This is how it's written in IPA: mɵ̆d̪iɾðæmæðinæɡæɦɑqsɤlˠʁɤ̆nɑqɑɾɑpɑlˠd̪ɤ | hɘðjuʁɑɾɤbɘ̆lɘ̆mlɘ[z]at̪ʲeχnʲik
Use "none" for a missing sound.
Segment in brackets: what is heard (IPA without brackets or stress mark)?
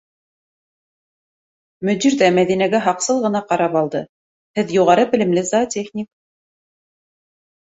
z